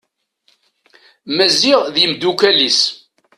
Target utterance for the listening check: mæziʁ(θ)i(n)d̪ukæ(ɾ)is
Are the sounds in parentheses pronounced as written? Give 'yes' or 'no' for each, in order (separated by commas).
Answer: no, no, no